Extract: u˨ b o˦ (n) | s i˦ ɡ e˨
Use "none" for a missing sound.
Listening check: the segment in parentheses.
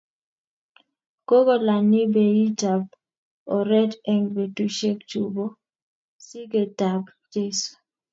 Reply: none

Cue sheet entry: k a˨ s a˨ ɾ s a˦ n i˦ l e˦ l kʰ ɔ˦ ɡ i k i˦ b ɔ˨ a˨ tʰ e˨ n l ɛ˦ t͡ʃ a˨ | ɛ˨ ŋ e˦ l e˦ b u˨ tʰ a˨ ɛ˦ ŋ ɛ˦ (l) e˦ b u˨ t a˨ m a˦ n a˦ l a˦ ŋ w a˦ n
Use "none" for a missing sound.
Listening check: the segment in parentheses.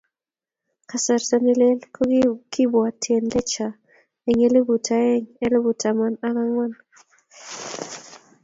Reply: l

